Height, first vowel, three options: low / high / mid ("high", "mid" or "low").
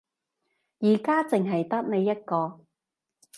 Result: high